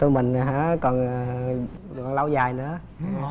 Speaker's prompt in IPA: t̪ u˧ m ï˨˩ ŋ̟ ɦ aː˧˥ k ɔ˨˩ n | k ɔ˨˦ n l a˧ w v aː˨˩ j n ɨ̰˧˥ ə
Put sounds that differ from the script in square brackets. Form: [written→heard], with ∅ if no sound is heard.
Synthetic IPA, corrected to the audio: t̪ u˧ m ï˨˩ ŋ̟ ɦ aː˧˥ k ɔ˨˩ n | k [ɔ˨˦→ɔ˨˩] n l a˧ w [v→z] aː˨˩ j n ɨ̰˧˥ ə